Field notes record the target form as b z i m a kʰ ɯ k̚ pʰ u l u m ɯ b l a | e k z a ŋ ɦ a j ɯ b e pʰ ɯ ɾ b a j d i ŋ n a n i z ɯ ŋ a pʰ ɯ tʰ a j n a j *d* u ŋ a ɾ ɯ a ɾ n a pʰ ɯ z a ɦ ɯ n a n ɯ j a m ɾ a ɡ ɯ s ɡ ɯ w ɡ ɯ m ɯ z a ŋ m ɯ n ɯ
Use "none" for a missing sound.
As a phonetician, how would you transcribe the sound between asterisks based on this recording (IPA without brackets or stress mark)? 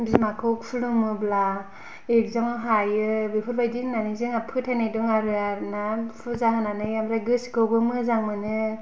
d